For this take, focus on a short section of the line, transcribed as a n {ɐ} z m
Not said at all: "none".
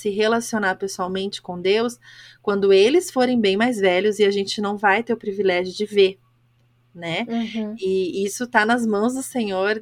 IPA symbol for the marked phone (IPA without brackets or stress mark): ɐ